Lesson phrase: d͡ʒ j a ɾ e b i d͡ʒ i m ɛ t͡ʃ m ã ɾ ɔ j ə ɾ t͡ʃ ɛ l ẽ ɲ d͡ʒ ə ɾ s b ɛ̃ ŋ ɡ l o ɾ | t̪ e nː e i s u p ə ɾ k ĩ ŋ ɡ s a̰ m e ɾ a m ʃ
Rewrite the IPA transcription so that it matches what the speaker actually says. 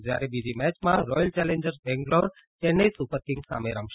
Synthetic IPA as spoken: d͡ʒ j a ɾ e b i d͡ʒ i m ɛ t͡ʃ m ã ɾ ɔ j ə l t͡ʃ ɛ l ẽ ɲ d͡ʒ ə ɾ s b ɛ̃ ŋ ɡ l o ɾ | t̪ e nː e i s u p ə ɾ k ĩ ŋ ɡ s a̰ m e ɾ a m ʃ